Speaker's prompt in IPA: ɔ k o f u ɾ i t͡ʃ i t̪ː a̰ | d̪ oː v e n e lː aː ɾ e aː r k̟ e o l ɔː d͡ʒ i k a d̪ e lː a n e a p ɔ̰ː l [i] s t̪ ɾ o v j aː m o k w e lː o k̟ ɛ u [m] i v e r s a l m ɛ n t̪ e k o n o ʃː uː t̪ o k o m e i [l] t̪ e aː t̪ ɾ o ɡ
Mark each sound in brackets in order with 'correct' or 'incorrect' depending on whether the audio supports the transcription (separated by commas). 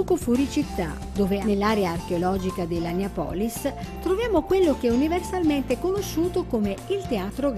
correct, incorrect, correct